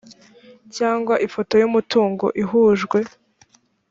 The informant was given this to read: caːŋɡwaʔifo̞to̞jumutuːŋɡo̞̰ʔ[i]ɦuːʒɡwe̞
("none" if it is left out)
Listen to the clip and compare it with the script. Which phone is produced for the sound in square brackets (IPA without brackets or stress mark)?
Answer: i